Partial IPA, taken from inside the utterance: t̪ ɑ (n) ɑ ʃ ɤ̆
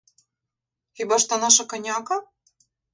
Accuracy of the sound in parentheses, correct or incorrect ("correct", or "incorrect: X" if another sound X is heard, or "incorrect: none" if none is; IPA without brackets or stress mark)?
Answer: correct